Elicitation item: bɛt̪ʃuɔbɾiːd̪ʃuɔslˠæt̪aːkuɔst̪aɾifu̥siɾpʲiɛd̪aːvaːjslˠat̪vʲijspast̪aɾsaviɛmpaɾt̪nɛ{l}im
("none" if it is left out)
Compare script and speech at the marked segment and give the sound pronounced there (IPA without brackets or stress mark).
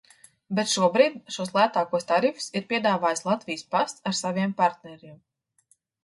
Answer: ɾ